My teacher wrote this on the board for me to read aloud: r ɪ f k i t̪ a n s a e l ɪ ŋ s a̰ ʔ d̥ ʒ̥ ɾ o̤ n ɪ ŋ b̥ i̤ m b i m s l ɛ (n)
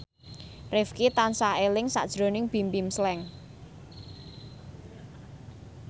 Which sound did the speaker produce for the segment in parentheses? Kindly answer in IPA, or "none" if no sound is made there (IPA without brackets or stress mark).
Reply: ŋ